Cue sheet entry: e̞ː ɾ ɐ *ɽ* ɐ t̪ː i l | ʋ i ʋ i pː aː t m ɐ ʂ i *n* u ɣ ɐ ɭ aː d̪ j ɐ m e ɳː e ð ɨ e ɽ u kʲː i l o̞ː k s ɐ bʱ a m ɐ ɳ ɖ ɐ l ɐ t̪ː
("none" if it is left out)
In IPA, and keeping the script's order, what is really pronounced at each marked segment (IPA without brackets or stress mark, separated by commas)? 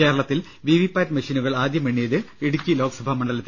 ɭ, n